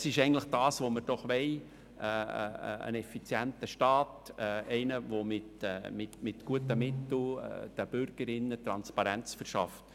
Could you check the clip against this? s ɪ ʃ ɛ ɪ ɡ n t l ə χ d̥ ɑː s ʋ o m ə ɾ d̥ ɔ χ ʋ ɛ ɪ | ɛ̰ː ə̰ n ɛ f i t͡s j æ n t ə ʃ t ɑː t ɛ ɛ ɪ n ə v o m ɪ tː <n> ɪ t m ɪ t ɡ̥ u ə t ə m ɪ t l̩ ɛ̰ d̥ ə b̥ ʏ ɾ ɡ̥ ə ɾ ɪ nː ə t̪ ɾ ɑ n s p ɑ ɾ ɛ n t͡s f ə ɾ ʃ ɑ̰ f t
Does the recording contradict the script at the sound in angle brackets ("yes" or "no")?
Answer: yes